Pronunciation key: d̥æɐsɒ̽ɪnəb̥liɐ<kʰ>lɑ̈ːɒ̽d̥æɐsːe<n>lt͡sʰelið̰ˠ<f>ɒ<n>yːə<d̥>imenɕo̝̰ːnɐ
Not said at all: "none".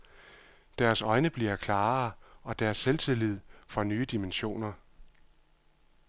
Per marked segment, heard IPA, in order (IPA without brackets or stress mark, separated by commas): kʰ, none, f, n, d̥